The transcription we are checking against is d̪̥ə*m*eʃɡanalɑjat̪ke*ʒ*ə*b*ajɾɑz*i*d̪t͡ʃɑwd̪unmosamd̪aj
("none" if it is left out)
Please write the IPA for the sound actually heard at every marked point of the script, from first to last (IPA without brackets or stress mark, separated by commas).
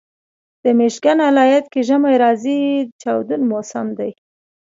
m, ʒ, m, i